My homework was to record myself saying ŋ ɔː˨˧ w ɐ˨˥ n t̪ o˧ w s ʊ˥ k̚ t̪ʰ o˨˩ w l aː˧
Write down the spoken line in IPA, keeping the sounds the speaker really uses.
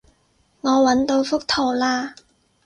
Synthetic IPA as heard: ŋ ɔː˨˧ w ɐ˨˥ n t̪ o˧ w f ʊ˥ k̚ t̪ʰ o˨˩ w l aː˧